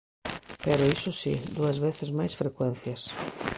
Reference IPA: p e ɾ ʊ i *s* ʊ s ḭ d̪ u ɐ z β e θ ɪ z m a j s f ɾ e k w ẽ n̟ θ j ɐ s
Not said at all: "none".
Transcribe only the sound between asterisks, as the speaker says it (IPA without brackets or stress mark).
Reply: s